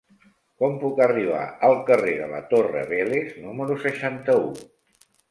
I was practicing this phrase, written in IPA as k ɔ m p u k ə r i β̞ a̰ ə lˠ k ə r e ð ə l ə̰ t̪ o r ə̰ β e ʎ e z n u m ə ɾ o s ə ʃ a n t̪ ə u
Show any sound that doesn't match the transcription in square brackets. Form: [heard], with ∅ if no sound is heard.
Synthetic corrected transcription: k ɔ m p u k ə r i β̞ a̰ ə lˠ k ə r e ð ə l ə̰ t̪ o r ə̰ β e [l] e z n u m ə ɾ [u] s ə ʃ a n t̪ ə u